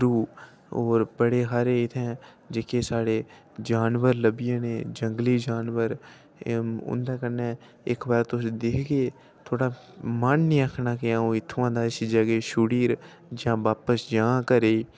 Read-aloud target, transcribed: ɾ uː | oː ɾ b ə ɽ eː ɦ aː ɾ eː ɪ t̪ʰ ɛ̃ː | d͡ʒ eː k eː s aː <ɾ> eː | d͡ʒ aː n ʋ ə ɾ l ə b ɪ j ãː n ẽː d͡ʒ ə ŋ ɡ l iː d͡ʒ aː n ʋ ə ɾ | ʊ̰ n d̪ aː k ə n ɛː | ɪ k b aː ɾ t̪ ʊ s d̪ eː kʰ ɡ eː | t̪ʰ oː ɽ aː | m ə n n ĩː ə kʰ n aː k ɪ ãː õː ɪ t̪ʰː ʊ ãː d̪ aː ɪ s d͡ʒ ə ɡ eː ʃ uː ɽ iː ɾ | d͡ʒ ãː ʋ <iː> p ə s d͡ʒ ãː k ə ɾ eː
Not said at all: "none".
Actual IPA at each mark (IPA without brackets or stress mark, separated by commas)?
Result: ɽ, aː